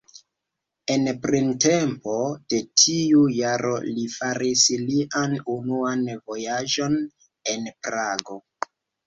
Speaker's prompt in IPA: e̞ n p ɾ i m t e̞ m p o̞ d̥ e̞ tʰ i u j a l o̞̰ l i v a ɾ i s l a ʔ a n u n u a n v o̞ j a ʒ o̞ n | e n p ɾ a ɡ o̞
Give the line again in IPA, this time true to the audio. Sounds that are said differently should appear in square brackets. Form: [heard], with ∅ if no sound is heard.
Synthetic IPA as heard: e̞ n p ɾ i [n] t e̞ m p o̞ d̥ e̞ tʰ i u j a [ɾ] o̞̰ l i [f] a ɾ i s l [i] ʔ a n u n u a n v o̞ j a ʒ o̞ n | e n p ɾ a ɡ o̞